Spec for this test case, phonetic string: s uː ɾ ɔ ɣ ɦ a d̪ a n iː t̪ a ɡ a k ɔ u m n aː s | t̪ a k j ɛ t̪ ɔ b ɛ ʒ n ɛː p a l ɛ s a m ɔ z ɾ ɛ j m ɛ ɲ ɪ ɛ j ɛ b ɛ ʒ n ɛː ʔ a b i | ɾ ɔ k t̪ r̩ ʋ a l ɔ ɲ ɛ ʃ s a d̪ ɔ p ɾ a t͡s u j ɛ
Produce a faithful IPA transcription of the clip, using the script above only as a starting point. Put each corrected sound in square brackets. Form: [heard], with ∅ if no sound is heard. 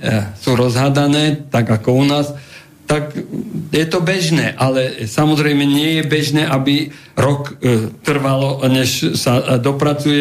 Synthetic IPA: s uː ɾ ɔ [z] ɦ a d̪ a n [ɛː] t̪ a ɡ a k ɔ u [∅] n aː s | t̪ a k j ɛ t̪ ɔ b ɛ ʒ n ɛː [ʔ] a l ɛ s a m ɔ z ɾ ɛ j m ɛ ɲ ɪ ɛ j ɛ b ɛ ʒ n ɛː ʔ a b i | ɾ ɔ k t̪ r̩ ʋ a l ɔ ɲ ɛ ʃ s a d̪ ɔ p ɾ a t͡s u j ɛ